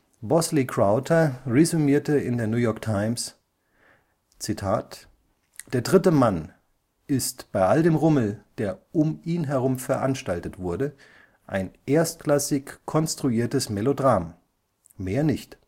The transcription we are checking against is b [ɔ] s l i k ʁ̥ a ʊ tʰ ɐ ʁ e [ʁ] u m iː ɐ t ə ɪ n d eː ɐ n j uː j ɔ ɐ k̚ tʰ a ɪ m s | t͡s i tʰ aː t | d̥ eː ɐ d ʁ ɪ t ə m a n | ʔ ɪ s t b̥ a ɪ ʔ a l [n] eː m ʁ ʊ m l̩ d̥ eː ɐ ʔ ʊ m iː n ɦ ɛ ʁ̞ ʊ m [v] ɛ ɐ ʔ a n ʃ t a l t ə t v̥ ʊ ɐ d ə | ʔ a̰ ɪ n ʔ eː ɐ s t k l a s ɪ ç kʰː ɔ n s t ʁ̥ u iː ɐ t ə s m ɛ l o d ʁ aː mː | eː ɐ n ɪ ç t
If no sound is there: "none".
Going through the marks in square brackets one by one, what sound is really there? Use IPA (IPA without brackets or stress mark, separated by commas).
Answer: ɔ, z, d, f